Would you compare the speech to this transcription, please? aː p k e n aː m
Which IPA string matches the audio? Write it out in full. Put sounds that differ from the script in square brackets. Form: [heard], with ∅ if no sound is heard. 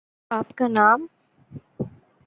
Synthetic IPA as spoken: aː p k [a] n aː m